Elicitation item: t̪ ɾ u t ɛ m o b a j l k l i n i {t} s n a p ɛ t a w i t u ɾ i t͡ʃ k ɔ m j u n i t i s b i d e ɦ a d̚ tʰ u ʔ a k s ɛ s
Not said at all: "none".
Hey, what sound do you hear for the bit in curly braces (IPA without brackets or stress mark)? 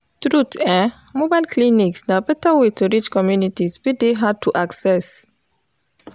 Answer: k